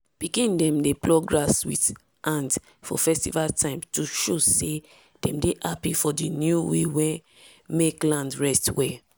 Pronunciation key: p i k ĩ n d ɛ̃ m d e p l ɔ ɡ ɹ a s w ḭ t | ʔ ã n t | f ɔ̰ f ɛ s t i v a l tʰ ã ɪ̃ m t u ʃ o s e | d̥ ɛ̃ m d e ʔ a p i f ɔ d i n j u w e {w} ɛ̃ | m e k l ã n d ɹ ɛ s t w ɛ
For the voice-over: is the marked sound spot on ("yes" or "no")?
yes